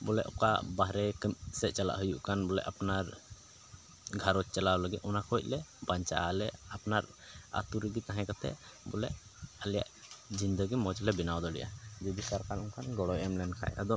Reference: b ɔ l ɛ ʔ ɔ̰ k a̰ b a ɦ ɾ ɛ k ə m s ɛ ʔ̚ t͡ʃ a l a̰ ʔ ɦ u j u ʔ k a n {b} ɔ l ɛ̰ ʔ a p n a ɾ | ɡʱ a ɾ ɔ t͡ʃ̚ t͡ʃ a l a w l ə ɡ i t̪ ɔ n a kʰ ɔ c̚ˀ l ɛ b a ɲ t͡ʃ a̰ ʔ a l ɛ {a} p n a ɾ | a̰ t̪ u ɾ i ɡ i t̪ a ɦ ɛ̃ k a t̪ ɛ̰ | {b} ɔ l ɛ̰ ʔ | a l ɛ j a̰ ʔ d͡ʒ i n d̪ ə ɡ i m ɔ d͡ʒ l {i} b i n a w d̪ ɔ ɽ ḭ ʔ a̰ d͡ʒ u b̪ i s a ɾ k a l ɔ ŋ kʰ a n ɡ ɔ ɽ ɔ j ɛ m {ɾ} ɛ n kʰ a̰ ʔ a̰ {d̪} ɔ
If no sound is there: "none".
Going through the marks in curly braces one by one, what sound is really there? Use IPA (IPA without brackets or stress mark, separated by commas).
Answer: b, a, b, ɛ, l, d̪